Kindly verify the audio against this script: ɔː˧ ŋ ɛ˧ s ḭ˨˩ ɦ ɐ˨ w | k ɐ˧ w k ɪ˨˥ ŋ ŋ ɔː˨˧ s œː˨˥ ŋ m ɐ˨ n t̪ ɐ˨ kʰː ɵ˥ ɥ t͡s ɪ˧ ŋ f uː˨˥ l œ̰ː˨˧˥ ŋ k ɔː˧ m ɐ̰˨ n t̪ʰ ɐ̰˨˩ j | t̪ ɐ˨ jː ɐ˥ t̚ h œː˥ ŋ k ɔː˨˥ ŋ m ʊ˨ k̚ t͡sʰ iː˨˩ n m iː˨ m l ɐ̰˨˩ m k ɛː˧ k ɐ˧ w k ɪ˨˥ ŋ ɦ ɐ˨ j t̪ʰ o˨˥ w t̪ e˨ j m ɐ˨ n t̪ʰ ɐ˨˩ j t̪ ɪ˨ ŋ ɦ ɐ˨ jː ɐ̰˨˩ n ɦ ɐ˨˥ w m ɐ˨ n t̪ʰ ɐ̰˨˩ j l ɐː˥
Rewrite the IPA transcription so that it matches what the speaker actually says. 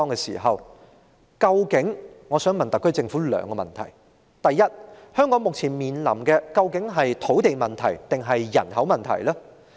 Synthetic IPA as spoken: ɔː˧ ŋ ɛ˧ s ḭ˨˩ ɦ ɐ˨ w | k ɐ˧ w k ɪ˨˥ ŋ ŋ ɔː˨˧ s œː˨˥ ŋ m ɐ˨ n t̪ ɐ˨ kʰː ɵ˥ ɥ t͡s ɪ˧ ŋ f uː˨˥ l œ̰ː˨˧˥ ŋ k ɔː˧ m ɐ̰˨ n t̪ʰ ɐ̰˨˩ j | t̪ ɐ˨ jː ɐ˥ t̚ h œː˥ ŋ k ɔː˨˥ ŋ m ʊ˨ k̚ t͡sʰ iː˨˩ n m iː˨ n l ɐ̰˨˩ m k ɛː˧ k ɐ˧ w k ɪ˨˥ ŋ ɦ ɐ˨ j t̪ʰ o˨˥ w t̪ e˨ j m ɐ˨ n t̪ʰ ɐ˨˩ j t̪ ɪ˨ ŋ ɦ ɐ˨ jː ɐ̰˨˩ n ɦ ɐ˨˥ w m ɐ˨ n t̪ʰ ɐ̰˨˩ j l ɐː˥

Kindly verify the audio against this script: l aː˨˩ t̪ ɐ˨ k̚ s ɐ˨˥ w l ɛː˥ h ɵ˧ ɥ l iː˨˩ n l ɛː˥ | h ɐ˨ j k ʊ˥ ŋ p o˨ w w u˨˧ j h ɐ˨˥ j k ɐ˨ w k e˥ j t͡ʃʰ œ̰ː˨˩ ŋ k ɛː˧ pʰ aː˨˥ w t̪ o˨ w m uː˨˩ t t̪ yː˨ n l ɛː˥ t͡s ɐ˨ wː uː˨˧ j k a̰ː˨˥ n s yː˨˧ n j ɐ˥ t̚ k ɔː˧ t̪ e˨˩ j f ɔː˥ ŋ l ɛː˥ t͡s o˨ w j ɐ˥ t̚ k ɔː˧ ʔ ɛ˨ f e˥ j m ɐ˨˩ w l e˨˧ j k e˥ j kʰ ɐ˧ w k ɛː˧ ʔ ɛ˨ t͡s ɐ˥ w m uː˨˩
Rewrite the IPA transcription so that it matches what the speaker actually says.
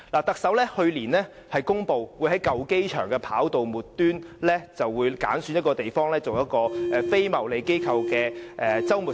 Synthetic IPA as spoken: l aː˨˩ t̪ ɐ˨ k̚ s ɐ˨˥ w l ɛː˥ h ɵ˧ ɥ l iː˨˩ n l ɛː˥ | h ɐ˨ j k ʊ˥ ŋ p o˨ w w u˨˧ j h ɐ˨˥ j k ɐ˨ w k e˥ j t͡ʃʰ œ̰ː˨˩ ŋ k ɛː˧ pʰ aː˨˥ w t̪ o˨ w m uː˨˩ t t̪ yː˥ n l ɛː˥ t͡s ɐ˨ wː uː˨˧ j k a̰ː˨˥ n s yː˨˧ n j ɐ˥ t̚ k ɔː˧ t̪ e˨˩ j f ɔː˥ ŋ l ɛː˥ t͡s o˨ w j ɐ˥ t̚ k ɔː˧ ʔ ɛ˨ f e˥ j m ɐ˨˩ w l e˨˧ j k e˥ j kʰ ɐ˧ w k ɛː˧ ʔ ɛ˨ t͡s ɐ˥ w m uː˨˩

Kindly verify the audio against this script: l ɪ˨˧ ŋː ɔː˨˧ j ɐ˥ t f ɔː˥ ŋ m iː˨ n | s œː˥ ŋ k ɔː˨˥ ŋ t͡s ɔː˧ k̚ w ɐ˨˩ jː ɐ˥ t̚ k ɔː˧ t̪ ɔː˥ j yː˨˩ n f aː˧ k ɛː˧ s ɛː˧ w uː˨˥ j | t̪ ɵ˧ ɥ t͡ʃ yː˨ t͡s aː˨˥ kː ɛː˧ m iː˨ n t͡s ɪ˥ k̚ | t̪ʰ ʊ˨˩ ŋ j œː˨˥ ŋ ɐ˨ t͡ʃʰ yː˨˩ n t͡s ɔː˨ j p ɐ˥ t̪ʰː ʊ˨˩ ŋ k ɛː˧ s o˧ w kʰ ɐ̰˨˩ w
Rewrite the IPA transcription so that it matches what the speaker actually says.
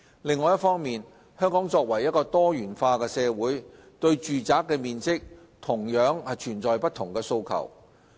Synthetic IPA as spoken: l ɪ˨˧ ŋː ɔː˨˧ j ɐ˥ t f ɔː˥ ŋ m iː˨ n | h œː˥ ŋ k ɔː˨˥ ŋ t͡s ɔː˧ k̚ w ɐ˨˩ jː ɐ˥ t̚ k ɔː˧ t̪ ɔː˥ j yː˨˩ n f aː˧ k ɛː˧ s ɛː˧ w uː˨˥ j | t̪ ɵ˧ ɥ t͡ʃ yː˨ t͡s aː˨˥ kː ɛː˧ m iː˨ n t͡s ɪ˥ k̚ | t̪ʰ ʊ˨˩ ŋ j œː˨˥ ŋ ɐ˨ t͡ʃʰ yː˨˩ n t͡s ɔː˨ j p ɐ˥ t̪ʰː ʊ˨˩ ŋ k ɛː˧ s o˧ w kʰ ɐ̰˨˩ w

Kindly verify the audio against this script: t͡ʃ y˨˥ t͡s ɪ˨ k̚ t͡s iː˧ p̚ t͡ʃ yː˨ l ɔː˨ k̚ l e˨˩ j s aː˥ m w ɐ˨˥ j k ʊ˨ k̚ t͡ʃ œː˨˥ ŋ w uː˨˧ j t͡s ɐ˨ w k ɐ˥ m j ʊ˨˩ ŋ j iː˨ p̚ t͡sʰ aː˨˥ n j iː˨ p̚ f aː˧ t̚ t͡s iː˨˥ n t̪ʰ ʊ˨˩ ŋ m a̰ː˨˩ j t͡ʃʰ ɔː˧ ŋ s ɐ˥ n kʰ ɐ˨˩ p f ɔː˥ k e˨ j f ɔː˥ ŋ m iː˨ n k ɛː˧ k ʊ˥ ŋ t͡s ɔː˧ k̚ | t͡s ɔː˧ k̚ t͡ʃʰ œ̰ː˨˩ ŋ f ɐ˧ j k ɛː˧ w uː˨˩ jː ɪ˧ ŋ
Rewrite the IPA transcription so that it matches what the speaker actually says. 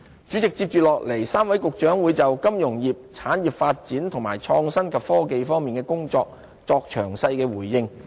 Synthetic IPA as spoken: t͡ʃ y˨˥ t͡s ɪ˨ k̚ t͡s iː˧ p̚ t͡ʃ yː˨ l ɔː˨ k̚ l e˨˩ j s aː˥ m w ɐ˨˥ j k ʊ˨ k̚ t͡ʃ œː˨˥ ŋ w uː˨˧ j t͡s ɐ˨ w k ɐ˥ m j ʊ˨˩ ŋ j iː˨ p̚ t͡sʰ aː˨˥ n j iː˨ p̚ f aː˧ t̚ t͡s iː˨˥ n t̪ʰ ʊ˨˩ ŋ m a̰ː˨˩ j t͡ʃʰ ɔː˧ ŋ s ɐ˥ n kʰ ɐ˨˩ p f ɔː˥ k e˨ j f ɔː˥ ŋ m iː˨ n k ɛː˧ k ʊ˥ ŋ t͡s ɔː˧ k̚ | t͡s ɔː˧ k̚ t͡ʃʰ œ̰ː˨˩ ŋ s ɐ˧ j k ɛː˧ w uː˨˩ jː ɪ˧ ŋ

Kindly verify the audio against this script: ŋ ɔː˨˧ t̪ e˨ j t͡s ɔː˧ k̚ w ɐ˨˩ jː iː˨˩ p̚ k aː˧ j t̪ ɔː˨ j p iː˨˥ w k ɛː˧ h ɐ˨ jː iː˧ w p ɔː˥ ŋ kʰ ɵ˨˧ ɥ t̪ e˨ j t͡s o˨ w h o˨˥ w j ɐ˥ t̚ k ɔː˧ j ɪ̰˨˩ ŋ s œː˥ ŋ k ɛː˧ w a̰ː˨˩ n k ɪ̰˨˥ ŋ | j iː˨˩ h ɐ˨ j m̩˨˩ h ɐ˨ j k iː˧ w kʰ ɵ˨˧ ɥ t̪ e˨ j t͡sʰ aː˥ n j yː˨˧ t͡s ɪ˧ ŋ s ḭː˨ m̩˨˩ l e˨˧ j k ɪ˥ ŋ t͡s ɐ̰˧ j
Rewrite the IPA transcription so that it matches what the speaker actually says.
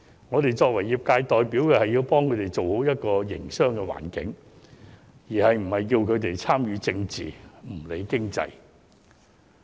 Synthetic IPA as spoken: ŋ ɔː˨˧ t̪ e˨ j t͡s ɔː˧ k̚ w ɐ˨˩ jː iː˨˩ p̚ k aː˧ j t̪ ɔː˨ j p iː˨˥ w k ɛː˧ h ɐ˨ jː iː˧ w p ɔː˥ ŋ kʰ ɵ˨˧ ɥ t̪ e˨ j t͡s o˨ w h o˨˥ w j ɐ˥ t̚ k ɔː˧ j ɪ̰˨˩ ŋ s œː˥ ŋ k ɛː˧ w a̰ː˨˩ n k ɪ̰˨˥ ŋ | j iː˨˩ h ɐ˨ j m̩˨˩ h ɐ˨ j k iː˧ w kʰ ɵ˨˧ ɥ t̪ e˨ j t͡sʰ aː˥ m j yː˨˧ t͡s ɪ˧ ŋ t͡s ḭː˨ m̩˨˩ l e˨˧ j k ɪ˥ ŋ t͡s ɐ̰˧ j

